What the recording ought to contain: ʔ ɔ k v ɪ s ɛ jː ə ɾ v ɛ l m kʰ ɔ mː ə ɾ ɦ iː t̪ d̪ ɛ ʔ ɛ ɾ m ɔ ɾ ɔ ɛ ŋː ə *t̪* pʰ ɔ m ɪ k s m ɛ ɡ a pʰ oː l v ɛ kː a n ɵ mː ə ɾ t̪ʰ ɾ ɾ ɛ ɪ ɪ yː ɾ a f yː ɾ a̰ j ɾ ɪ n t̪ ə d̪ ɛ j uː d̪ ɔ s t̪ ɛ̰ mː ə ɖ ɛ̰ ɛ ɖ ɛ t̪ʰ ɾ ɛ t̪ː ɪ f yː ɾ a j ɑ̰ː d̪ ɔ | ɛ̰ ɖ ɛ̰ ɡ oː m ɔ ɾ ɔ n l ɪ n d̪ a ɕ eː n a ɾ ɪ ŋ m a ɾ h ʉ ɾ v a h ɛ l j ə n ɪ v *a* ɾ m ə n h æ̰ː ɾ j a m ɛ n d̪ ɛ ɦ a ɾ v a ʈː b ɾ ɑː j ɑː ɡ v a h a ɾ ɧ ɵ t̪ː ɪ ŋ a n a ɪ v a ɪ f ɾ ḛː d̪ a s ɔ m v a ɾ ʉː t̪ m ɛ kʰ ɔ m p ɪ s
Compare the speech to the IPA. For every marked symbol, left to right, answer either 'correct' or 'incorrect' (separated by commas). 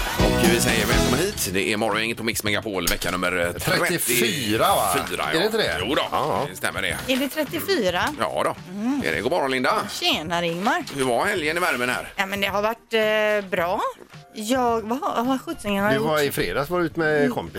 correct, incorrect